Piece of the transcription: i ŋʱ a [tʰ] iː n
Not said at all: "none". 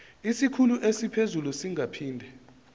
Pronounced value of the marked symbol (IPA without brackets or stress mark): pʰ